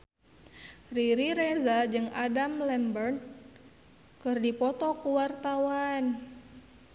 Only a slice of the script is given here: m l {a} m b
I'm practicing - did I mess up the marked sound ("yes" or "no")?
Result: yes